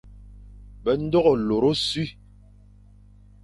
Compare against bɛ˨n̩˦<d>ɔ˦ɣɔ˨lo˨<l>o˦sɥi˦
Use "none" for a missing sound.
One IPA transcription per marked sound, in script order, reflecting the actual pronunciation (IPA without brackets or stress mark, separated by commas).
d, ɾ